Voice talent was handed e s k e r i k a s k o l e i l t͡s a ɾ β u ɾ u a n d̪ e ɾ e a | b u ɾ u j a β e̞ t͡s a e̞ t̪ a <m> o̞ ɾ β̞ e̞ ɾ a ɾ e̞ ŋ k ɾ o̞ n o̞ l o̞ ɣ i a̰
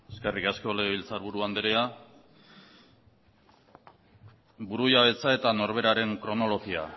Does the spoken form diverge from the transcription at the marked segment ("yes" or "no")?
yes